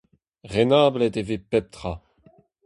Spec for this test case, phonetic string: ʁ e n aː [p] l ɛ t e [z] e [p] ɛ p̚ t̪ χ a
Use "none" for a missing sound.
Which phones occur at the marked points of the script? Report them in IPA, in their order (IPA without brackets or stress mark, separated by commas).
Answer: b, v, p